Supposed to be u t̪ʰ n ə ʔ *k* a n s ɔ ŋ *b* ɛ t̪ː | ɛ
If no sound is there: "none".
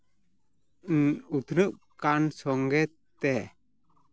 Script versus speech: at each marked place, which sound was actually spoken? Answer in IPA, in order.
k, ɡ

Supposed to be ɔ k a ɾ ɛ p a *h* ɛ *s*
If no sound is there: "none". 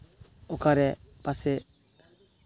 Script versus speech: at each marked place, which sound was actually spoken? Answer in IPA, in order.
s, none

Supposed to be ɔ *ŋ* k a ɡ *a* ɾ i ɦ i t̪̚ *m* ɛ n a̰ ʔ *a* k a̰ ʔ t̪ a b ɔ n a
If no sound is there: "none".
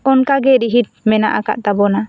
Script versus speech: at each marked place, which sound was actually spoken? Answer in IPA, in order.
n, ɛ, m, a

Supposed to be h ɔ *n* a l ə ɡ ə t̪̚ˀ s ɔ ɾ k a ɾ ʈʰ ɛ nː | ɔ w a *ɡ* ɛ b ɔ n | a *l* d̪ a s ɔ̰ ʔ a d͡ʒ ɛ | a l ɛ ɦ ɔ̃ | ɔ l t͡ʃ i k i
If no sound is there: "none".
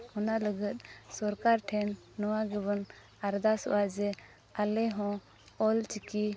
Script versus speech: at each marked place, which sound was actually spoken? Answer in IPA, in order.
n, ɡ, ɾ

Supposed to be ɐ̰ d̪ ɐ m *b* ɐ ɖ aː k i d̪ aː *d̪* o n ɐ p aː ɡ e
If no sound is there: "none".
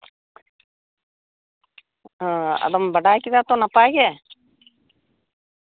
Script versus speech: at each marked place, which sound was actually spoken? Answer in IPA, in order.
b, t̪

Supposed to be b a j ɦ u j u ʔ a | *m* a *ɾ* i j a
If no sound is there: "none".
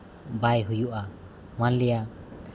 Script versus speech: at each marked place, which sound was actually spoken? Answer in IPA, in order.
m, l

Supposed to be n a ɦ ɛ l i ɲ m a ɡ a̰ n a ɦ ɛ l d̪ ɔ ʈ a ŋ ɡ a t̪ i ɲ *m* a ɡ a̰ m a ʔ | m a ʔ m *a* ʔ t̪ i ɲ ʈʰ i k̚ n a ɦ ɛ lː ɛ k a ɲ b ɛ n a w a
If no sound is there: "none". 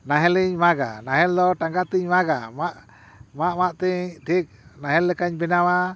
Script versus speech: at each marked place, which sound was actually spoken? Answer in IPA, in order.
m, a

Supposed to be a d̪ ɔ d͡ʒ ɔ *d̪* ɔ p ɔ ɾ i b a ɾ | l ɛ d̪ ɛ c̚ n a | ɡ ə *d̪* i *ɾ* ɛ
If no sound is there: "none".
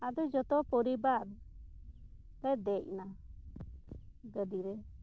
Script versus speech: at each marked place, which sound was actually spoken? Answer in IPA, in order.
t̪, d̪, ɾ

